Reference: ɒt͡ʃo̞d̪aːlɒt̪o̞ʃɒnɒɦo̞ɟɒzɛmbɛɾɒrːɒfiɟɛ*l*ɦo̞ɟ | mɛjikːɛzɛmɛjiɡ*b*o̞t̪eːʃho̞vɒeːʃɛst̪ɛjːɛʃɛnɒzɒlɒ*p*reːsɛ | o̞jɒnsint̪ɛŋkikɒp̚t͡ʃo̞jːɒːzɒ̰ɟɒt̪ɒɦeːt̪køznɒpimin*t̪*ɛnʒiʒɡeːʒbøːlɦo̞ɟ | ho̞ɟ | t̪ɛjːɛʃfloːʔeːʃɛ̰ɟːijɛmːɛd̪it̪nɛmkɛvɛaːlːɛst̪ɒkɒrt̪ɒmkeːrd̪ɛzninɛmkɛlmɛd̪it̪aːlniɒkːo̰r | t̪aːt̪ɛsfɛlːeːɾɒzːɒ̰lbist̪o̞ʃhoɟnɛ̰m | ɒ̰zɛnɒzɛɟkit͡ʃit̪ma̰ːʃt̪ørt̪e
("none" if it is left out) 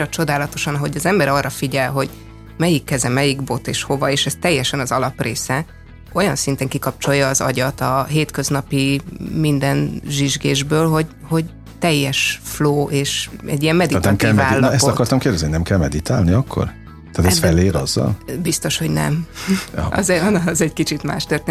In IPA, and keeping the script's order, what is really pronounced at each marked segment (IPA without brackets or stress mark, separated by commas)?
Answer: l, b, p, d̪